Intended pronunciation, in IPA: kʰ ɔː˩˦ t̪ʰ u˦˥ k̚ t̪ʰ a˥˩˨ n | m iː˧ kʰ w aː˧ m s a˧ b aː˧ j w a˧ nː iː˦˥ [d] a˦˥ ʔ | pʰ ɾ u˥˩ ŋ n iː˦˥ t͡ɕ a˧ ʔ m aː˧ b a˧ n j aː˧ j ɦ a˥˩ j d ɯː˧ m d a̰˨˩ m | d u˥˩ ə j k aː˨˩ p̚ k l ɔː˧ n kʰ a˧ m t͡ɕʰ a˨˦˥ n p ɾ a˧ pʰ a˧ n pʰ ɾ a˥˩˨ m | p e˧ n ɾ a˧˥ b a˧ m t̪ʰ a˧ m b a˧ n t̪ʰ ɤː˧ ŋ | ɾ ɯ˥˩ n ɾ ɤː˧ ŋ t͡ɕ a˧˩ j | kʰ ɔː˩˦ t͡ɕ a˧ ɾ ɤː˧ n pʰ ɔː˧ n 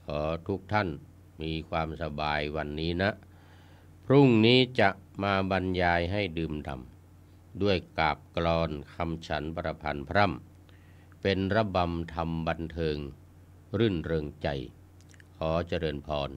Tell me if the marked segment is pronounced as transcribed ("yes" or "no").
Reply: no